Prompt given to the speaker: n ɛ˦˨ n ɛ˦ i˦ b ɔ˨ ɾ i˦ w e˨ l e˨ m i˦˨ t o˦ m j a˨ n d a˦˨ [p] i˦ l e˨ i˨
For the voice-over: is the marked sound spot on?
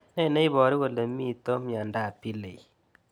yes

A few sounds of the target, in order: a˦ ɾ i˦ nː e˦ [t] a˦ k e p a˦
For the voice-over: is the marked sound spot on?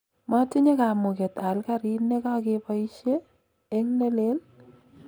no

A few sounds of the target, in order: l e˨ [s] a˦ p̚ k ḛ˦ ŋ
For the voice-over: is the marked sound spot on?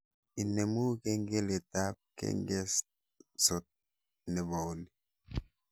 no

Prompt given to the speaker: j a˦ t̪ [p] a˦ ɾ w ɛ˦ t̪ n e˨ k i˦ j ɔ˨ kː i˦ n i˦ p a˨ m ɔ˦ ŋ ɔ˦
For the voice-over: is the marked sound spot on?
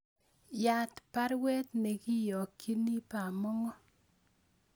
yes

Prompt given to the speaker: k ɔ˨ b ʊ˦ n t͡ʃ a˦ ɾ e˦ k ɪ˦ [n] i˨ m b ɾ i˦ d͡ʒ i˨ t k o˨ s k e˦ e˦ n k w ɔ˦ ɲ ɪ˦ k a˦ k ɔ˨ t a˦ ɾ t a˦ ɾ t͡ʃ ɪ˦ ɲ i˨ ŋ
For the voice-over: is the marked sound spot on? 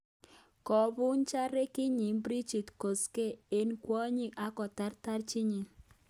no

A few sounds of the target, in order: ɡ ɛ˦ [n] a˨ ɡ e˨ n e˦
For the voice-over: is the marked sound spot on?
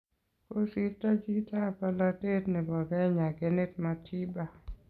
no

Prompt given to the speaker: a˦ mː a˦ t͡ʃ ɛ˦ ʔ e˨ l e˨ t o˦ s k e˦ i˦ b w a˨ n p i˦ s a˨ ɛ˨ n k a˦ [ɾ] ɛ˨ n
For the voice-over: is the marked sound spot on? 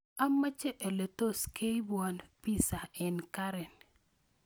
yes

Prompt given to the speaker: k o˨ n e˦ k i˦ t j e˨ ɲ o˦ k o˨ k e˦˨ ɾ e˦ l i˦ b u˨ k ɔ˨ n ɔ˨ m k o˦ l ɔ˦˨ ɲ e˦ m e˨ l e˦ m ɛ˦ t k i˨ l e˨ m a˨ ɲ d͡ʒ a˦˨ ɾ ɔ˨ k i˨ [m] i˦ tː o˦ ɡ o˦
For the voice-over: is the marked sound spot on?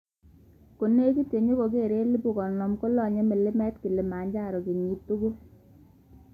no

